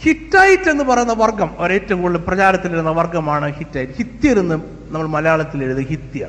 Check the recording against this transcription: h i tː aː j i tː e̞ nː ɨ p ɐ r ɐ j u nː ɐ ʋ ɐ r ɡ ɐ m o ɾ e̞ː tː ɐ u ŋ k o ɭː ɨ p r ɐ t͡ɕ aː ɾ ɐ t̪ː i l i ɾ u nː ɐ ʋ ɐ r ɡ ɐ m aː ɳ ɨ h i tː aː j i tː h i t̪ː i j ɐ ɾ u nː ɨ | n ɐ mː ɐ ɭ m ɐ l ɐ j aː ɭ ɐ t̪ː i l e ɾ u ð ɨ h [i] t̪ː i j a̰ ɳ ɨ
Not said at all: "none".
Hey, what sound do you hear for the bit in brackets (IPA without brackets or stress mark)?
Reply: i